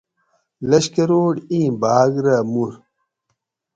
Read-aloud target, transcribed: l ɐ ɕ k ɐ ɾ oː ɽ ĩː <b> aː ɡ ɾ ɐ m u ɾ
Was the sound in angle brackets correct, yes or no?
yes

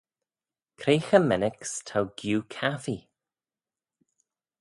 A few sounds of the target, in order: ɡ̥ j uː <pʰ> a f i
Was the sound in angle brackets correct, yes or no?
no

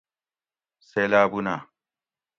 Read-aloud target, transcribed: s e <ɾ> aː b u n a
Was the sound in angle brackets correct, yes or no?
no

